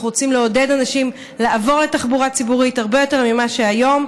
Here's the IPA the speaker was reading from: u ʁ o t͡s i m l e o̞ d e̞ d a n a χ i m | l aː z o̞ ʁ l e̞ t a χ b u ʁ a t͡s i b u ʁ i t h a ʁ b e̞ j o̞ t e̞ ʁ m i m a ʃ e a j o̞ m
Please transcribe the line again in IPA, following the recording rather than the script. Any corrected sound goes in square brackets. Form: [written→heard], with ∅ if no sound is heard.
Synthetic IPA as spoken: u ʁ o t͡s i m l e o̞ d e̞ d a n a [χ→ʃ] i m | l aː [z→v] o̞ ʁ l e̞ t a χ b u ʁ a t͡s i b u ʁ i t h a ʁ b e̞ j o̞ t e̞ ʁ m i m a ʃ e a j o̞ m